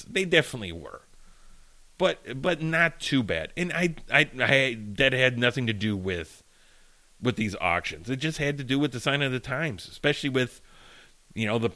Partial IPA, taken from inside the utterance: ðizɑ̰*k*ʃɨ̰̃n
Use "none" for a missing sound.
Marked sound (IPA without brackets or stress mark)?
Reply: k